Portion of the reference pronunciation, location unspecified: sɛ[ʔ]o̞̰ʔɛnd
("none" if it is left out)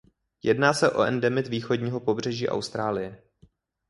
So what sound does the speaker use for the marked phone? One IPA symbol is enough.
ʔ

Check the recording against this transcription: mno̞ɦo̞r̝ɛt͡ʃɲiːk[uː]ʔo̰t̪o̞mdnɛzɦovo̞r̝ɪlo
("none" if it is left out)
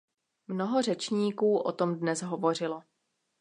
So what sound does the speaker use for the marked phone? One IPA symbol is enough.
uː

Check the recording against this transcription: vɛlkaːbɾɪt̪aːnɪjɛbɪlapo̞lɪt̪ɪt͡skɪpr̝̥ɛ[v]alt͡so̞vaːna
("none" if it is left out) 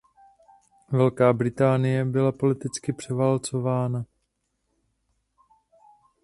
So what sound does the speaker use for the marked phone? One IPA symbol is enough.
v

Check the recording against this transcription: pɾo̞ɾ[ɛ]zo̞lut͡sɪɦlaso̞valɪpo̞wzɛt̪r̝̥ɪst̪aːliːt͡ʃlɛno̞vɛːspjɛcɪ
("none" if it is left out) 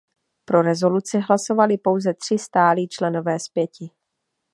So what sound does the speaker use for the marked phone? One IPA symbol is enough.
ɛ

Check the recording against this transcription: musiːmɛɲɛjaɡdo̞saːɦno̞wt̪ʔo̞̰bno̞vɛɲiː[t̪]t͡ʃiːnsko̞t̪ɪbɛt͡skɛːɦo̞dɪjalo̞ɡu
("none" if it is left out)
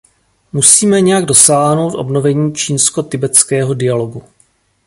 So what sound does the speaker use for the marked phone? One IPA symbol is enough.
none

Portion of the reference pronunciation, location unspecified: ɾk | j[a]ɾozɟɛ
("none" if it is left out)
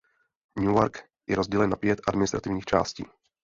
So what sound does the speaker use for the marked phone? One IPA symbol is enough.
ɛ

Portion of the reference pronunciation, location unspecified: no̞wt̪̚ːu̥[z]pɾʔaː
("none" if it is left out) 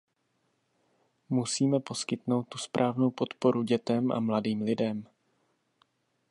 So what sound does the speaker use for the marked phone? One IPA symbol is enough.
s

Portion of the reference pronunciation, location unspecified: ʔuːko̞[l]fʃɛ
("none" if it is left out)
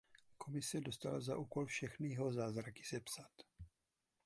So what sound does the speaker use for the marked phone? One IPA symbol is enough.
l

